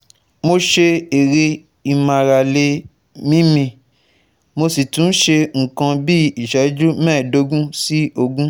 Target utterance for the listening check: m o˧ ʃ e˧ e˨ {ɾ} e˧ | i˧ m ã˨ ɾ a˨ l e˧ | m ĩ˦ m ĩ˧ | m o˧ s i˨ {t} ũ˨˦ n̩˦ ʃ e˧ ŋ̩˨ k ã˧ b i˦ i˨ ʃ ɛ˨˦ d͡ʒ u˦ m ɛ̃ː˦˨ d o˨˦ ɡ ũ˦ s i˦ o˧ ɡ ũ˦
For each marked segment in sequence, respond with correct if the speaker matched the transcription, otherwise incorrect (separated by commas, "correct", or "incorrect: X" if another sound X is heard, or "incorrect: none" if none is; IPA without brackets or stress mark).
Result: correct, correct